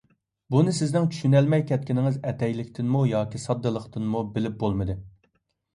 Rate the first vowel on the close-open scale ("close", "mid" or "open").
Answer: close